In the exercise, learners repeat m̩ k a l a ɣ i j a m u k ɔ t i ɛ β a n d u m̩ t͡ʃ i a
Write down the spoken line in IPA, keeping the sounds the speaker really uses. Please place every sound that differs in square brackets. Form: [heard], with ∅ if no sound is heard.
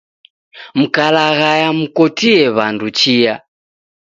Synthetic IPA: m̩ k a l a ɣ [a] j a m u k ɔ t i ɛ β a n d u [∅] t͡ʃ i a

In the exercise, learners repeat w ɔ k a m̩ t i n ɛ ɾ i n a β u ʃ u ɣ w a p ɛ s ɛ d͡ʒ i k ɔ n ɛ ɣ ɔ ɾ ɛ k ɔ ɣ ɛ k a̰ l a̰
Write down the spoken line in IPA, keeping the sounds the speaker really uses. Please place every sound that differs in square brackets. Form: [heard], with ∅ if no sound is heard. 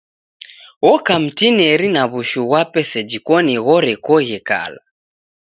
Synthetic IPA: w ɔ k a m̩ t i n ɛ ɾ i n a β u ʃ u ɣ w a p ɛ s ɛ d͡ʒ i k ɔ n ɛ ɣ ɔ ɾ ɛ k ɔ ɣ ɛ k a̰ l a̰

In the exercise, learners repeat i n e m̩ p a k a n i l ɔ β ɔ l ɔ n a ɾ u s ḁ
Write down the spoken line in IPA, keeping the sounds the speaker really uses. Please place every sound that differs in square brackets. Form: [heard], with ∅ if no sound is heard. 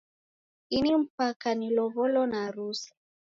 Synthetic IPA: i n [i] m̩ p a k a n i l ɔ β ɔ l ɔ n a ɾ u s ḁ

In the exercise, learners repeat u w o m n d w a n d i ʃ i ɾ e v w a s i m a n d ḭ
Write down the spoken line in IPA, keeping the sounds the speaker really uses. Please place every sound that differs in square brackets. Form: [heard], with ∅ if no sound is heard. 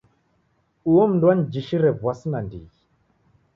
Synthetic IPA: u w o m n d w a n [d͡ʒ] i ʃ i ɾ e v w a s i [n] a n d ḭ

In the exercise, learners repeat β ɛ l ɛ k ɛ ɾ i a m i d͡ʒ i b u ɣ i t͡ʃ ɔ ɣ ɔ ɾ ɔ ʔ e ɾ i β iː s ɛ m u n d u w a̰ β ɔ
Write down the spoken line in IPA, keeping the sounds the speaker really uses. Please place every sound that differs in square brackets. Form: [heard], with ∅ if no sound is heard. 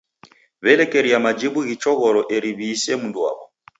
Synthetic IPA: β ɛ l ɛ k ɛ ɾ i a m [a] d͡ʒ i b u ɣ i t͡ʃ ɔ ɣ ɔ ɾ ɔ ʔ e ɾ i β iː s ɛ m u n d u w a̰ β ɔ

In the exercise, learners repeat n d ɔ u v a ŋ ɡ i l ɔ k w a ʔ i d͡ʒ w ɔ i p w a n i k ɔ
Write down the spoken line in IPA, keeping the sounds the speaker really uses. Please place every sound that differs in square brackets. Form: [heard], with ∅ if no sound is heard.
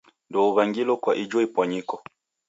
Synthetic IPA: n d ɔ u [β] a ŋ ɡ i l ɔ k w a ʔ i d͡ʒ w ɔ i p w a [ɲ] i k ɔ

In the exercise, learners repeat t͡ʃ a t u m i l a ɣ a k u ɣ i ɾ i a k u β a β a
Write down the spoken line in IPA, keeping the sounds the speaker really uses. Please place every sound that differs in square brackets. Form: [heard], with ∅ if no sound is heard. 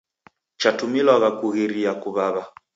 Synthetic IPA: t͡ʃ a t u m i l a ɣ a k u ɣ i ɾ i a k u β a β a

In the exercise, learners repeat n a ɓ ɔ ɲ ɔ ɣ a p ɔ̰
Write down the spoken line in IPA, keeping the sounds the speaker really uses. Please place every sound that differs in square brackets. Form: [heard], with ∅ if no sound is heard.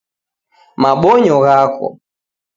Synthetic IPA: [m] a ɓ ɔ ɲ ɔ ɣ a [k] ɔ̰

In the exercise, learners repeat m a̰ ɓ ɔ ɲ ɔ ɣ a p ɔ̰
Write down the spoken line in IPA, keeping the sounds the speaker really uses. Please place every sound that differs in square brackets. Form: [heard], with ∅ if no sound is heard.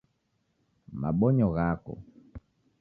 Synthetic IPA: m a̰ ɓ ɔ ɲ ɔ ɣ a [k] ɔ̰

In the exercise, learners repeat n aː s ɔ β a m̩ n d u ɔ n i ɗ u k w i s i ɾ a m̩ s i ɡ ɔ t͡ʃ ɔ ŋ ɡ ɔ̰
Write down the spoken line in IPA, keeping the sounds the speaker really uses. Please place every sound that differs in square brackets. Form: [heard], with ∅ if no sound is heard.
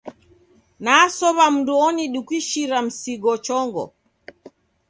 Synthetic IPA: n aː s ɔ β a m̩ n d u ɔ n i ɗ u k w i [ʃ] i ɾ a m̩ s i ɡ ɔ t͡ʃ ɔ ŋ ɡ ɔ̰

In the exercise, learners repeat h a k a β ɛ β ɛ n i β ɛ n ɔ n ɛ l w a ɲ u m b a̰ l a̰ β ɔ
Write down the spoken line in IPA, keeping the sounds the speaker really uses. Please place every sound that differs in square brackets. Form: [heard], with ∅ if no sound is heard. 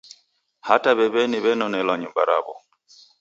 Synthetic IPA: h a [t] a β ɛ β ɛ n i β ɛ n ɔ n ɛ l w a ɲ u m b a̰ [ɾ] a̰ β ɔ

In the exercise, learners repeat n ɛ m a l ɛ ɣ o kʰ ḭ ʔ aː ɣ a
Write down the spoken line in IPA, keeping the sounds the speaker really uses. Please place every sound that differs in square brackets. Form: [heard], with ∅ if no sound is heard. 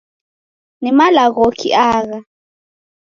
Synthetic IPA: n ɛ m a l [a] ɣ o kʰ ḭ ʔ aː ɣ a

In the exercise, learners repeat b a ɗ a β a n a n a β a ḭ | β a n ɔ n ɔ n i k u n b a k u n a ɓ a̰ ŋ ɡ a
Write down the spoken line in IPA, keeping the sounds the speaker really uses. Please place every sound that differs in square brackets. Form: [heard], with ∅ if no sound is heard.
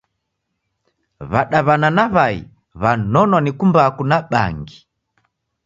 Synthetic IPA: [β] a ɗ a β a n a n a β a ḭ | β a n ɔ n ɔ n i k u [m] b a k u n a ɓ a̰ ŋ ɡ [i]

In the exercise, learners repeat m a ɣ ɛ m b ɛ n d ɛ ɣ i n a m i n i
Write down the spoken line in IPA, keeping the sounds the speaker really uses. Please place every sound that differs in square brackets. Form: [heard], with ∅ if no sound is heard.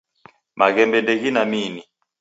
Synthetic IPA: m a ɣ ɛ m b ɛ n d ɛ ɣ i n a m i n i

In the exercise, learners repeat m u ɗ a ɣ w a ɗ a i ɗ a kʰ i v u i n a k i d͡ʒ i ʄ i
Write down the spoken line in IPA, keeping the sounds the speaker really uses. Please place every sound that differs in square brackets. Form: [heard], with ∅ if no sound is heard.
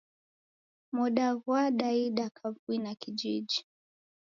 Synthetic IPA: m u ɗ a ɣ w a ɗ a i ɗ a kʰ [a] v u i n a k i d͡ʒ i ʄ i

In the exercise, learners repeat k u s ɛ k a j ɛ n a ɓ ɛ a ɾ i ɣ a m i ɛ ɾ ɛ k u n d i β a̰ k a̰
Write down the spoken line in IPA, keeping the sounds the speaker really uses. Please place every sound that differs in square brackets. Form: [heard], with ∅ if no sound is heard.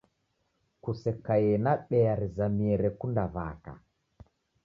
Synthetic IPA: k u s ɛ k a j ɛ n a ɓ ɛ a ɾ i [z] a m i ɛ ɾ ɛ k u n d [a] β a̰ k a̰

